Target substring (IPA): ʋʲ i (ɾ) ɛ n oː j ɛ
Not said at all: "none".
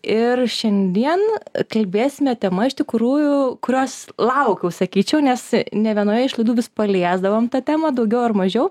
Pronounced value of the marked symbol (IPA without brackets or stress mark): none